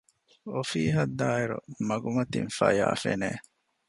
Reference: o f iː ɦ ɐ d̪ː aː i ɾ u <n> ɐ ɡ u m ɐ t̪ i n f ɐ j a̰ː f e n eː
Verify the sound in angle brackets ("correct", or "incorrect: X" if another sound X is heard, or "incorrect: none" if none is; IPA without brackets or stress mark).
incorrect: m